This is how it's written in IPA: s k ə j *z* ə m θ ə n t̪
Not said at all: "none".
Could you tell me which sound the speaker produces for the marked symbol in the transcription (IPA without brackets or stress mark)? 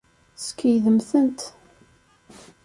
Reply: ð